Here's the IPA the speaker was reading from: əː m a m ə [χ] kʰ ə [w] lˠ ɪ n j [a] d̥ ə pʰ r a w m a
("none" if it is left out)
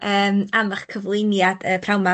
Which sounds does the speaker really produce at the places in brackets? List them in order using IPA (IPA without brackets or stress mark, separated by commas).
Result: χ, v, a